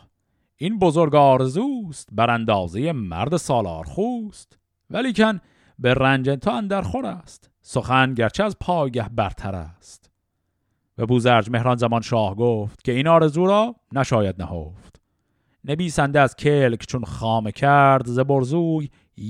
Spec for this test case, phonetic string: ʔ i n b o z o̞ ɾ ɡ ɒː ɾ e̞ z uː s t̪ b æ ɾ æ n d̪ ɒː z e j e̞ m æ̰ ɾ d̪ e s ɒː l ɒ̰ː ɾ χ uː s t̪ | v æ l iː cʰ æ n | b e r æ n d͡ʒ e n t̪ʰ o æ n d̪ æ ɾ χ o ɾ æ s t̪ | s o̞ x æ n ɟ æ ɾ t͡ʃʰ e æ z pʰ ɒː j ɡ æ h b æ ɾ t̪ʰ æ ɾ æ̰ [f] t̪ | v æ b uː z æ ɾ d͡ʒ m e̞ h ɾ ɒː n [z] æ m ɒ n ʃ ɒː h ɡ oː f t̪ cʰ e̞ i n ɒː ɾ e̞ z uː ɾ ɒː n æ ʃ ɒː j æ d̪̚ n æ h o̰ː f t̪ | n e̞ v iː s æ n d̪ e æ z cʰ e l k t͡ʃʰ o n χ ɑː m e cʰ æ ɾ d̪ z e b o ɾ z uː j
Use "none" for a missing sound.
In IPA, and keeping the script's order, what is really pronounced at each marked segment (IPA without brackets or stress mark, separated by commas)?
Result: s, z